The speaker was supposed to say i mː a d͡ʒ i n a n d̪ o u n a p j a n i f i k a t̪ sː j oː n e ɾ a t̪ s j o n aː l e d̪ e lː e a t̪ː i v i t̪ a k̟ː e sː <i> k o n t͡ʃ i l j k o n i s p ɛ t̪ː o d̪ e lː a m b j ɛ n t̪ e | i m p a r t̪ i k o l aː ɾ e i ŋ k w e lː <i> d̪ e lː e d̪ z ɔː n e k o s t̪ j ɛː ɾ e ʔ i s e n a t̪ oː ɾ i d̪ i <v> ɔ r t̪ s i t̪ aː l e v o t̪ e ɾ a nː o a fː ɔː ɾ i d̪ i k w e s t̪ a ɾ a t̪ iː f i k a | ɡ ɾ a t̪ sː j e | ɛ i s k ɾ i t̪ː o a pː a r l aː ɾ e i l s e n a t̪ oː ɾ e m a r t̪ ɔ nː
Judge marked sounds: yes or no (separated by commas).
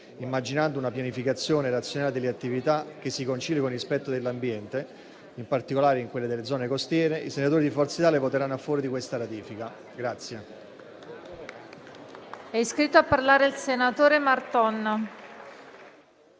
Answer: yes, no, no